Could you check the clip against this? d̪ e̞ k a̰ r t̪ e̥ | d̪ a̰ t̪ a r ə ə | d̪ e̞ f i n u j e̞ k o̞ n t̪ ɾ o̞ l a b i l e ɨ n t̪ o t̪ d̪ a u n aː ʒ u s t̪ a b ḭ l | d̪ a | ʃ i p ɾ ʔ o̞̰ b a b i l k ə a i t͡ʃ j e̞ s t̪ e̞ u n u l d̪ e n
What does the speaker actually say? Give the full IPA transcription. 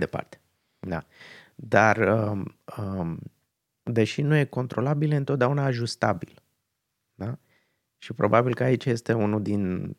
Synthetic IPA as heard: d̪ e̞ p a̰ r t̪ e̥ | d̪ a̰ d̪ a r ə ə | d̪ e̞ ʃ i n u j e̞ k o̞ n t̪ ɾ o̞ l a b i l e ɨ n t̪ o t̪ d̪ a u n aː ʒ u s t̪ a b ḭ l | d̪ a | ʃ i p ɾ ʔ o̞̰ b a b i l k ə a i t͡ʃ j e̞ s t̪ e̞ u n u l d̪ i n